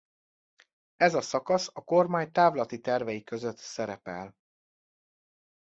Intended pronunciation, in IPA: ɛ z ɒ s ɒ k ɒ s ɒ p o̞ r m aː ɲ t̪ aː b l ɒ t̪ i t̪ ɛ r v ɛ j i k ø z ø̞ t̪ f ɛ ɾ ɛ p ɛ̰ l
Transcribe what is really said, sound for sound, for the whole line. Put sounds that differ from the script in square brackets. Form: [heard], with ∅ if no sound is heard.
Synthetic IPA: ɛ z ɒ s ɒ k ɒ s ɒ [k] o̞ r m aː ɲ t̪ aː [v] l ɒ t̪ i t̪ ɛ r v ɛ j i k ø z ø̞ t̪ [s] ɛ ɾ ɛ p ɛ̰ l